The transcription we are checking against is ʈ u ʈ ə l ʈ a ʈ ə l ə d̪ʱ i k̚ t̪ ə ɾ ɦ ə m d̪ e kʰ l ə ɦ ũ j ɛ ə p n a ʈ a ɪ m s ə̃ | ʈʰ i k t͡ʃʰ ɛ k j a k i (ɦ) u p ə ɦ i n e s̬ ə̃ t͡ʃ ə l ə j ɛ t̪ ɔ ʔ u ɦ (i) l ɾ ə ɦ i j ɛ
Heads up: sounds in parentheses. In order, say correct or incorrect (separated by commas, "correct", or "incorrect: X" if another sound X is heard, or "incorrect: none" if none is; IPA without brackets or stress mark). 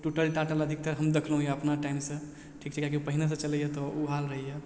incorrect: none, incorrect: a